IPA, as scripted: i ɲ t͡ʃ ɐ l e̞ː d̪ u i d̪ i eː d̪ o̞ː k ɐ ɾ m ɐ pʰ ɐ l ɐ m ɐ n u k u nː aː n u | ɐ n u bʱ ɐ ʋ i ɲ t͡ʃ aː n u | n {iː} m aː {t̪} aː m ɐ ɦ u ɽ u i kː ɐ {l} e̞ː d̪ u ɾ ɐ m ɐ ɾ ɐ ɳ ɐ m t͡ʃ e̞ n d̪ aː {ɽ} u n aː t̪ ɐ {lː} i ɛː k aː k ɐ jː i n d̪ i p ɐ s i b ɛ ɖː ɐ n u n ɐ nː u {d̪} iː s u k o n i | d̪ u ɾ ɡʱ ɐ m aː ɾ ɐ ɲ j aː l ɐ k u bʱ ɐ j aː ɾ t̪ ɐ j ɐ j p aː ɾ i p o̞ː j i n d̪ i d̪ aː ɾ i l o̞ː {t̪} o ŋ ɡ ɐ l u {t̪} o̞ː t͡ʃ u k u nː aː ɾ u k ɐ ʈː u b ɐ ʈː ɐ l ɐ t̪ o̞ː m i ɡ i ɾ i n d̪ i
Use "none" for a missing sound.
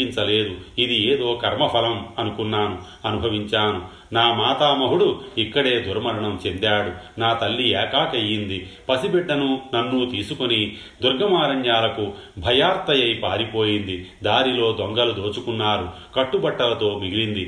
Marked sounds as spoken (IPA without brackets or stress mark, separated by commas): aː, t̪, ɽ, ɽ, lː, t̪, d̪, d̪